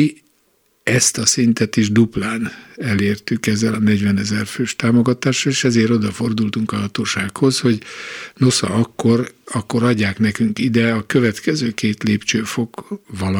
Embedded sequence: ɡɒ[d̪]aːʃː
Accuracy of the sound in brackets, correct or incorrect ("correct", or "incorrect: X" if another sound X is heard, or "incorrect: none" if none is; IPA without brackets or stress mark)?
incorrect: t̪